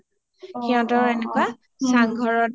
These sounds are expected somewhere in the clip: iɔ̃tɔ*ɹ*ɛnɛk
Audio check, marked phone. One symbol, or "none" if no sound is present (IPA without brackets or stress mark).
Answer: ɹ